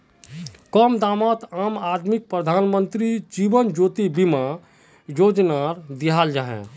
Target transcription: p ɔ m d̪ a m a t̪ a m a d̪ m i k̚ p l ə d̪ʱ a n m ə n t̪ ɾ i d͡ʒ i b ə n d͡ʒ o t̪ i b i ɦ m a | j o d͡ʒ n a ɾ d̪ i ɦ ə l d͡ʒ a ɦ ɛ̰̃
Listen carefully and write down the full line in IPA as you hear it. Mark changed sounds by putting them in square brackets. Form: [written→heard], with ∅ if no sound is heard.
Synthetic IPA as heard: [p→k] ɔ m d̪ a m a t̪ a m a d̪ m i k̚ p [l→ɾ] ə d̪ʱ a n m ə n t̪ ɾ i d͡ʒ i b ə n d͡ʒ o t̪ i b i [ɦ→∅] m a | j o d͡ʒ n a ɾ d̪ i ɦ [ə→a] l d͡ʒ a ɦ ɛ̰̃